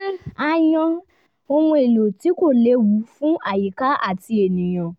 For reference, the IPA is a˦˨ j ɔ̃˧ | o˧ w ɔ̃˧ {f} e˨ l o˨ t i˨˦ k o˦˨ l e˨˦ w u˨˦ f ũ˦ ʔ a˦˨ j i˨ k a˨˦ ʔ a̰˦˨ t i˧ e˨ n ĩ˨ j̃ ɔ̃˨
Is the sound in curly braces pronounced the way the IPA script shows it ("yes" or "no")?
no